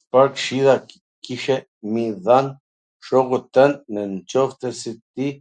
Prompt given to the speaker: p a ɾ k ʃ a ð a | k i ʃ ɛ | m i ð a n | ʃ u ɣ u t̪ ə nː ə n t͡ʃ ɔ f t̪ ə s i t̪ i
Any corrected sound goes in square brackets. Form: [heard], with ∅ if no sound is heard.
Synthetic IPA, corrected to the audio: p a ɾ k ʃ [i] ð a | k i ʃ ɛ | m i ð a n | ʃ [ɔ] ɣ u t̪ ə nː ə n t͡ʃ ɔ f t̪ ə s i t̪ i